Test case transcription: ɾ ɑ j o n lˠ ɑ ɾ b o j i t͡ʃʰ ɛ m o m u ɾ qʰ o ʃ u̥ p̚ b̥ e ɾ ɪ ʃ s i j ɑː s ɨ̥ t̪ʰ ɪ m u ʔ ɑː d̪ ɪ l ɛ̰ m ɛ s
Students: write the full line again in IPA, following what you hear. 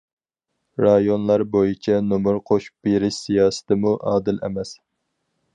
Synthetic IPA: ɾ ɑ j o n lˠ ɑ ɾ b o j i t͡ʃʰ ɛ n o m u ɾ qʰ o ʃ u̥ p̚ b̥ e ɾ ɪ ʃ s i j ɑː s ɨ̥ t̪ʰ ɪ m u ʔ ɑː d̪ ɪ l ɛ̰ m ɛ s